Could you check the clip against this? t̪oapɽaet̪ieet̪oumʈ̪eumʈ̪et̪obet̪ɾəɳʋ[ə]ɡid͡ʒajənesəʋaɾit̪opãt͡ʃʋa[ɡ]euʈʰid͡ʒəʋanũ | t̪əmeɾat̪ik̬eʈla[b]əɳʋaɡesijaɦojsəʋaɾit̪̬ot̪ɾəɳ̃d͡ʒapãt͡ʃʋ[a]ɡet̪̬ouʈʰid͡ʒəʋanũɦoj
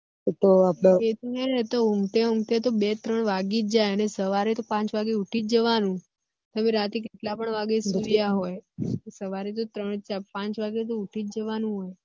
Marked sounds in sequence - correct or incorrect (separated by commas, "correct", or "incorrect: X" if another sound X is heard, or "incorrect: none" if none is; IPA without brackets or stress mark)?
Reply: incorrect: a, correct, incorrect: p, correct